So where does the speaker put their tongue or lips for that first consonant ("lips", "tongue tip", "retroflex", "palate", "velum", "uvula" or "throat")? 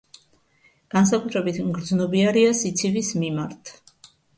velum